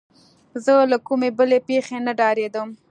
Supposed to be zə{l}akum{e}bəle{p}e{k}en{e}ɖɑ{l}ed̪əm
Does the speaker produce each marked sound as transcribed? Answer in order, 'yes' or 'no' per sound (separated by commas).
yes, yes, yes, no, no, no